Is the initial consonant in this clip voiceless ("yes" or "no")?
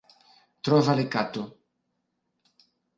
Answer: yes